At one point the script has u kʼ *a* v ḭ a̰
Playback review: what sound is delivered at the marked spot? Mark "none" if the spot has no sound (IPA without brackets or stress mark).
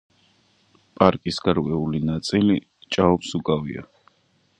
a